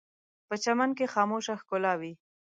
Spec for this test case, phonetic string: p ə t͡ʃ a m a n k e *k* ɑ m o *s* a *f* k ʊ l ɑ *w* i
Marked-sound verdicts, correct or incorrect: incorrect: x, incorrect: ʃ, incorrect: x, correct

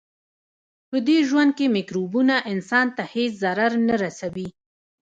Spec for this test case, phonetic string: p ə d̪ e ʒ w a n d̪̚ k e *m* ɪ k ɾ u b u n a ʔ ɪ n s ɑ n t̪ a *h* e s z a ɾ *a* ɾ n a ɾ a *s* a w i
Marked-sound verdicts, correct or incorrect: correct, correct, correct, correct

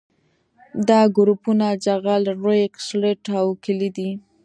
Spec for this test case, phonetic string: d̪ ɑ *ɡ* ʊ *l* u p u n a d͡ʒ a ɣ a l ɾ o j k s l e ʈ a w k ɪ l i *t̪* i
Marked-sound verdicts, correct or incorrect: correct, incorrect: ɾ, incorrect: d̪

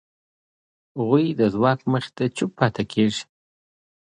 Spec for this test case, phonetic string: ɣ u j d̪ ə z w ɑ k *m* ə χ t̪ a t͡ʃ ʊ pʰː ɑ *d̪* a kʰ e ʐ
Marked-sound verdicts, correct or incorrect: correct, incorrect: t̪

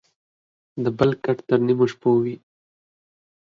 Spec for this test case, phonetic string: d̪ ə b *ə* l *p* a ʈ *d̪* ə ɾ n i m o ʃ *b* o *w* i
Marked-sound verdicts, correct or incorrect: correct, incorrect: k, incorrect: t̪, incorrect: p, correct

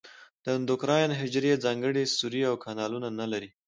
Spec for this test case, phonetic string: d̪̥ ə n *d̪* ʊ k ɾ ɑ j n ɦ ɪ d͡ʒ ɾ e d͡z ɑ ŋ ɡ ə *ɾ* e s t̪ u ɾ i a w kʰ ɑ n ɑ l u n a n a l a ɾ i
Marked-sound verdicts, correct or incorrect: correct, incorrect: ɽ

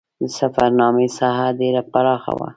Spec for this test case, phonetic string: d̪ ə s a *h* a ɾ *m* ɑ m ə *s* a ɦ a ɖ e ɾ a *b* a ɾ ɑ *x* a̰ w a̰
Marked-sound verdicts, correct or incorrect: incorrect: f, incorrect: n, correct, incorrect: p, correct

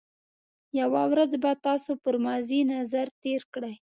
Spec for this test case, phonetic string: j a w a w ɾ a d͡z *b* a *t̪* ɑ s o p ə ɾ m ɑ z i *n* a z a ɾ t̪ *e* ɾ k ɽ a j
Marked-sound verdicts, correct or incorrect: correct, correct, correct, correct

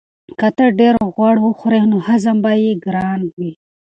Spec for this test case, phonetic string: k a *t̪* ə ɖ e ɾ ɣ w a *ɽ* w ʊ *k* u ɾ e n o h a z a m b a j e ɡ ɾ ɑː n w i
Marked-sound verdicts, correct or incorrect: correct, correct, incorrect: x

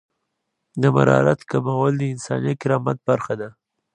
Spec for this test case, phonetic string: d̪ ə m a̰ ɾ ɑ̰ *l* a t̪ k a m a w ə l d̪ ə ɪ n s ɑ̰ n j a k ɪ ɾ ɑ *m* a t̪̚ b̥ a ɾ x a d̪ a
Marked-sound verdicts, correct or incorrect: incorrect: ɾ, correct

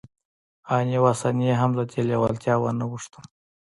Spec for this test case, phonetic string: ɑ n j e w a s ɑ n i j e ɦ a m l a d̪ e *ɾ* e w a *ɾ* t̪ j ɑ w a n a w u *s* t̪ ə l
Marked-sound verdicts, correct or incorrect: incorrect: l, incorrect: l, incorrect: ʂ

